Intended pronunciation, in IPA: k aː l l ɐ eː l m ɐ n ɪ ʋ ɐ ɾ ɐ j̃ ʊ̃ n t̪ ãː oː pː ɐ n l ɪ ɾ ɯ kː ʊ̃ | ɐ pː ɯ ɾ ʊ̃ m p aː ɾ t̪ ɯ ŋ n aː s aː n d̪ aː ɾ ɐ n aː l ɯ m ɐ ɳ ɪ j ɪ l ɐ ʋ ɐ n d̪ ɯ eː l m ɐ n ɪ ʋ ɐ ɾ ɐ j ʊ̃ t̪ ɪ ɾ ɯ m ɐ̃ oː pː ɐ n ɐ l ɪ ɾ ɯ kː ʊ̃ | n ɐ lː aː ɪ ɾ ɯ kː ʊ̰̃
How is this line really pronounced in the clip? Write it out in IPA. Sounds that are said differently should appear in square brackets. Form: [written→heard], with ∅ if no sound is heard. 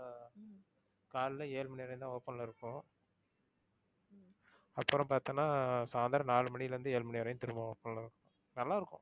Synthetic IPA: k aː l l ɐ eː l m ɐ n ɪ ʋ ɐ ɾ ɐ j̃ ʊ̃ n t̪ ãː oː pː ɐ n l ɪ ɾ ɯ kː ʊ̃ | ɐ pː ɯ ɾ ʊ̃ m p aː ɾ t̪ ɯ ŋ n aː s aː n d̪ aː ɾ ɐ n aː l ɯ m ɐ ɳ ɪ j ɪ l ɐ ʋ ɐ n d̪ ɯ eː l m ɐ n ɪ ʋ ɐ ɾ ɐ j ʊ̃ t̪ ɪ ɾ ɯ m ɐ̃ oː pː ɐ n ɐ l ɪ ɾ ɯ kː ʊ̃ | n ɐ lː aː ɪ ɾ ɯ kː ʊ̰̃